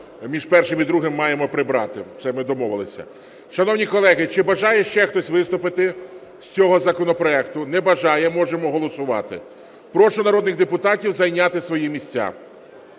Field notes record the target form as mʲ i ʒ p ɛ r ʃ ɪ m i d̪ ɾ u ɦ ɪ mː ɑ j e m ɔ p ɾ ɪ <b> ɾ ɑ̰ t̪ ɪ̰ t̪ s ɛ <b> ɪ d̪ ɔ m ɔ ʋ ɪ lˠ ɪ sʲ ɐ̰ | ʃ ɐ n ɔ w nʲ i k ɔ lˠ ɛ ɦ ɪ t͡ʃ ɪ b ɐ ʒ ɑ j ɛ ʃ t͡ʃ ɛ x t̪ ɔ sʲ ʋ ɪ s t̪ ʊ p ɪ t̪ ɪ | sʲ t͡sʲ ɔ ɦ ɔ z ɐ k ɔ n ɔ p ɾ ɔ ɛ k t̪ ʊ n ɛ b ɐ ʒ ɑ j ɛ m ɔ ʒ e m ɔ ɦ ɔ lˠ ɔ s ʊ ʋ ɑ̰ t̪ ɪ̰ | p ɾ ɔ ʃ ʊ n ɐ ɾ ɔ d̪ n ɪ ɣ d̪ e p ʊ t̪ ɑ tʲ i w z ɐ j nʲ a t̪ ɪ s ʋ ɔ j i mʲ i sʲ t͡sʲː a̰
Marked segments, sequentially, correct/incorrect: correct, incorrect

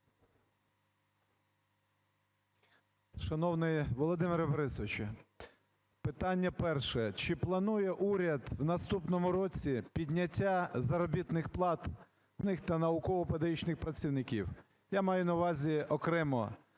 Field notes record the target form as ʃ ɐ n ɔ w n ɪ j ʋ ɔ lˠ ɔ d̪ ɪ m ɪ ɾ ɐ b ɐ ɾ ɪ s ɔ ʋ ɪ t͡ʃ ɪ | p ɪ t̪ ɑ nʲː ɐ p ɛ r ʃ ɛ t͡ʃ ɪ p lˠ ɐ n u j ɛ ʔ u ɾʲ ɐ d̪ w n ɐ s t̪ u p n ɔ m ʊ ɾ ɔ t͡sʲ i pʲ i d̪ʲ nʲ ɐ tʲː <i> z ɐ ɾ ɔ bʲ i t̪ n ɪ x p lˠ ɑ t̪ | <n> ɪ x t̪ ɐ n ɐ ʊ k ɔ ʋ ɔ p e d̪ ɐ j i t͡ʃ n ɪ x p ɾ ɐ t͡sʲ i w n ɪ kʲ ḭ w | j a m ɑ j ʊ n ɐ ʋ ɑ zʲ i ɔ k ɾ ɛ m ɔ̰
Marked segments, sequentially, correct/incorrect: incorrect, correct

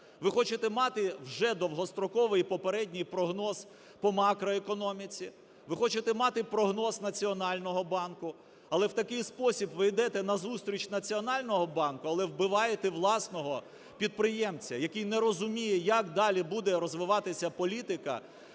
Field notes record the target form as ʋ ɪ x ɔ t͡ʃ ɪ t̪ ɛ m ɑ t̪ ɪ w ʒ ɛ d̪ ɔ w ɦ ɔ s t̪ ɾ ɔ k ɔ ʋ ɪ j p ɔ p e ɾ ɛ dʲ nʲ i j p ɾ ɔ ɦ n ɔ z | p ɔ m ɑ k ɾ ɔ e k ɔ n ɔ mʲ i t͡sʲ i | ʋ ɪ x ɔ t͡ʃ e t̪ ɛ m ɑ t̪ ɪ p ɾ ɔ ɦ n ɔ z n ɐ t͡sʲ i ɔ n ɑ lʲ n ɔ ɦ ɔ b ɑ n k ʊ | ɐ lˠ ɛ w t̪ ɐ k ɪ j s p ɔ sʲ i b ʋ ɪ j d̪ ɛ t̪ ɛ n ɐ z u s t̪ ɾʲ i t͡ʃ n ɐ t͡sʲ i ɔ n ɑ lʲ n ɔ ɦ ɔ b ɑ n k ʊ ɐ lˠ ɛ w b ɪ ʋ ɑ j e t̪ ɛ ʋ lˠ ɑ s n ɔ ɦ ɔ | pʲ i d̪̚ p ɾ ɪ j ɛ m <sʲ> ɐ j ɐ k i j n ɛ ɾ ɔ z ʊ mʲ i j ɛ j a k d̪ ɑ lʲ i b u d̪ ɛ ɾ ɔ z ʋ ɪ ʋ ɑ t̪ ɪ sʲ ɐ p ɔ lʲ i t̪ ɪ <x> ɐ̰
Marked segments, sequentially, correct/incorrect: incorrect, incorrect

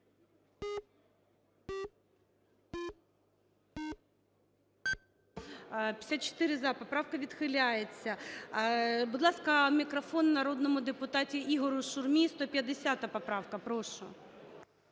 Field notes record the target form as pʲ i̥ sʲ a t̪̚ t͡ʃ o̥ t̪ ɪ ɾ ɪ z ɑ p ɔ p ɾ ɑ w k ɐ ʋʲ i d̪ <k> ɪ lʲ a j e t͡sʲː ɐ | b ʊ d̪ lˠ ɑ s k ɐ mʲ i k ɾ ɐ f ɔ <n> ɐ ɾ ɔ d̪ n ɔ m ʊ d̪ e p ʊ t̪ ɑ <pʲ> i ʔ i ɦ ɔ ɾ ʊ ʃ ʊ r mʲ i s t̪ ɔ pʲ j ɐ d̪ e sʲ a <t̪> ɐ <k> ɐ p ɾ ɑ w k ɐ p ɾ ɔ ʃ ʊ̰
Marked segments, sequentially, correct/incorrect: incorrect, incorrect, incorrect, correct, incorrect

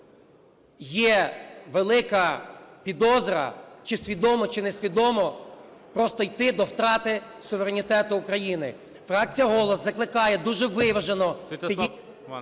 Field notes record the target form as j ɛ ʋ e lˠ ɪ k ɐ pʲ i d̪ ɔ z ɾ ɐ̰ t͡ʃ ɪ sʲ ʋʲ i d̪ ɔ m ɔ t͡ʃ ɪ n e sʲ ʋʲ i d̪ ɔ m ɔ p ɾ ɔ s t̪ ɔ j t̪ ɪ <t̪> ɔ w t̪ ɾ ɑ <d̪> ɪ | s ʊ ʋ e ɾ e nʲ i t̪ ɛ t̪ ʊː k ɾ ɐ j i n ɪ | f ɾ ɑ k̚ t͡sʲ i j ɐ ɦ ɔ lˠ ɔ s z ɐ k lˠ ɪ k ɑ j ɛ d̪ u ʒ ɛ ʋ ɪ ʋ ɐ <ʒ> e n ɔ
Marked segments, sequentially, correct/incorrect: incorrect, incorrect, correct

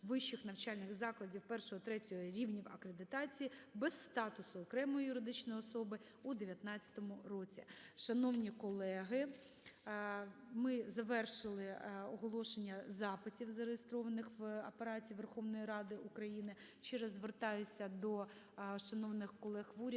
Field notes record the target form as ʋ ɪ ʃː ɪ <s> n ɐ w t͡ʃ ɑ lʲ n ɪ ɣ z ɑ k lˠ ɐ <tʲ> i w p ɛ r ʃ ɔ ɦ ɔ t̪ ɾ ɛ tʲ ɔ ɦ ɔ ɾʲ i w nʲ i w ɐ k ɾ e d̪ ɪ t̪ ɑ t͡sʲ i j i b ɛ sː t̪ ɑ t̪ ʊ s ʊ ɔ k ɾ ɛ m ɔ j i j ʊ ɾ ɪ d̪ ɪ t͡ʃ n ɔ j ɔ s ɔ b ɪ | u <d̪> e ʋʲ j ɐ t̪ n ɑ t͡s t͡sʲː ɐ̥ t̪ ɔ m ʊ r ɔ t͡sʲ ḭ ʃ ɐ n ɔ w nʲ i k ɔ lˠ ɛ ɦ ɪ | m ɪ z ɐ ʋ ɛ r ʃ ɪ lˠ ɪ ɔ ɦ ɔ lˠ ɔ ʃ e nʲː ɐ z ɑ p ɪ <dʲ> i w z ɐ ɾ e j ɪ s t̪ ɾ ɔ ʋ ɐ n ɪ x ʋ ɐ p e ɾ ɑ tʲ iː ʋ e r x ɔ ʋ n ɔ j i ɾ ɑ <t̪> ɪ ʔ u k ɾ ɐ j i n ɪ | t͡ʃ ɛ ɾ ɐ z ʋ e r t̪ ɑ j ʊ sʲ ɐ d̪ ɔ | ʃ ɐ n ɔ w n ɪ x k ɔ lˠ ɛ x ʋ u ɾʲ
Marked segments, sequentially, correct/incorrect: incorrect, incorrect, correct, incorrect, incorrect

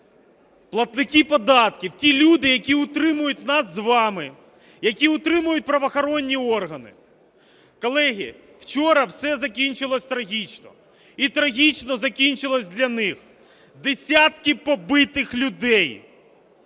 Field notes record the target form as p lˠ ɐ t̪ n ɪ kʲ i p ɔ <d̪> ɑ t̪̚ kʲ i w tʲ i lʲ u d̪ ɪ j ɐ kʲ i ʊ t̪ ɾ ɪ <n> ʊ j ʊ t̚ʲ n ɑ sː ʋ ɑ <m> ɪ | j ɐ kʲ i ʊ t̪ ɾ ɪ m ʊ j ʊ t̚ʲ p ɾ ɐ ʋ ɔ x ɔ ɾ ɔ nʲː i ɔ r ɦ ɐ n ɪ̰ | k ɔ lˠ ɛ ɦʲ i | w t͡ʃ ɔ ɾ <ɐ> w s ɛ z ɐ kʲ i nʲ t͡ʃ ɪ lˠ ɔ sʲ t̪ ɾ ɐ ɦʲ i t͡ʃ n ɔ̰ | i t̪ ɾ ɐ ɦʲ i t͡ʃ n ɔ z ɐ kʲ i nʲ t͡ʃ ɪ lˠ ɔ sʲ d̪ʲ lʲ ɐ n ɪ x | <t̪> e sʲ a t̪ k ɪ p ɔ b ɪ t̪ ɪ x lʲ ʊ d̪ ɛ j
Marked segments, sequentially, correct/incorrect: correct, incorrect, correct, correct, incorrect

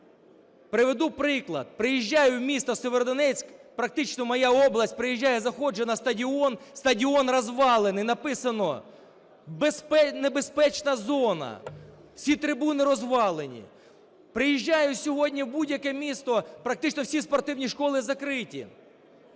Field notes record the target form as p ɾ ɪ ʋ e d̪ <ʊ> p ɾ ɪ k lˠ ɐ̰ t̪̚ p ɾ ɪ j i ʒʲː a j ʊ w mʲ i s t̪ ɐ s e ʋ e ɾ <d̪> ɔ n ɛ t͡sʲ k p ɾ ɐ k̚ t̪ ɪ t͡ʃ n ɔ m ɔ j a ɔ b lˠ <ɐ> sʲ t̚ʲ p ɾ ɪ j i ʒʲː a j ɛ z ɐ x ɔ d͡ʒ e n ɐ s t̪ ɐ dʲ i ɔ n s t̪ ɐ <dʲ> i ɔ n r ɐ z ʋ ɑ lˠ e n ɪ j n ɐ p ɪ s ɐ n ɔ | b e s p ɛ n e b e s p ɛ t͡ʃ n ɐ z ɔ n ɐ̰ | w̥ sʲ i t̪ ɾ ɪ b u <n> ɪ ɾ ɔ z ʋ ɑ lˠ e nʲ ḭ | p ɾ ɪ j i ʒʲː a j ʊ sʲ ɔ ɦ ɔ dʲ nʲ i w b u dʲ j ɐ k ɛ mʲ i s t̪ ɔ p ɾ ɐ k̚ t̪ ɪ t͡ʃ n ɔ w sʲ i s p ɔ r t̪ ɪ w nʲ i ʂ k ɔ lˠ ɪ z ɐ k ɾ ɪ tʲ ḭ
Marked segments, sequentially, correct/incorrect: incorrect, correct, correct, correct, correct

